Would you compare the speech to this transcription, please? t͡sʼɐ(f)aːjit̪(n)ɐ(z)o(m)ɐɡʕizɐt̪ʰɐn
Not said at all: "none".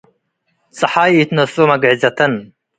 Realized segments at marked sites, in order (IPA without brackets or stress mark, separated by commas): ħ, n, s, m